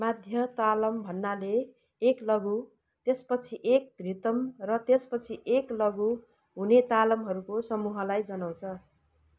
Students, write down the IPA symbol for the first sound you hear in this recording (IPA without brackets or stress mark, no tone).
m